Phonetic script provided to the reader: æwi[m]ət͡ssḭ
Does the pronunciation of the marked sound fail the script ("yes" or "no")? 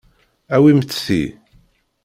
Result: no